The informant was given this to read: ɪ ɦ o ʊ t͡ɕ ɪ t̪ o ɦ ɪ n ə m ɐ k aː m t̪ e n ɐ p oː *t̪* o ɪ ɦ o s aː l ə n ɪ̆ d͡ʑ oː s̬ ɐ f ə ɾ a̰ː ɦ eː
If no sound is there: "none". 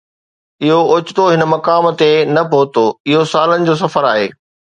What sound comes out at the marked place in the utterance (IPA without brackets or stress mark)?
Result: t̪